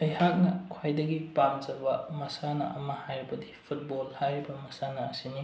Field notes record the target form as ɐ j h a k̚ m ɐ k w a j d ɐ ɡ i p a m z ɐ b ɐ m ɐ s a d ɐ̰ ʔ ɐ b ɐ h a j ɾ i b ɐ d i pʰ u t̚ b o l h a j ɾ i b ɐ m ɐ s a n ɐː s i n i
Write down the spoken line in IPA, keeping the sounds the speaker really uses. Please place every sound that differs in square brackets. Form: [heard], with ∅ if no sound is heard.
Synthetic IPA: ɐ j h a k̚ [n] ɐ [kʰ] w a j d ɐ ɡ i p a m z ɐ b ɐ m ɐ s a [n] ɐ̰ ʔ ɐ [m] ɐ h a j ɾ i b ɐ d i pʰ u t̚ b o l h a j ɾ i b ɐ m ɐ s a n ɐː s i n i